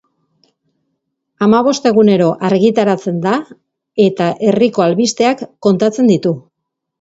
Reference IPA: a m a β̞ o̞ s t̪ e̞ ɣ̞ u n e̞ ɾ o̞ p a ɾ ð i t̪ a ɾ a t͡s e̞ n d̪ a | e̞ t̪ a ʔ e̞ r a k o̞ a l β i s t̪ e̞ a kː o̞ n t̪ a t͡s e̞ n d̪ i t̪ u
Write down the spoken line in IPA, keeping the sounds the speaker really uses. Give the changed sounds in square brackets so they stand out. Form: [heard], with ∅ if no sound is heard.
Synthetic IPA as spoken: a m a β̞ o̞ s t̪ e̞ ɣ̞ u n e̞ ɾ o̞ [ʔ] a ɾ [ɣ] i t̪ a ɾ a t͡s e̞ n d̪ a | e̞ t̪ a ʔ e̞ r [i] k o̞ a l β i s t̪ e̞ a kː o̞ n t̪ a t͡s e̞ n d̪ i t̪ u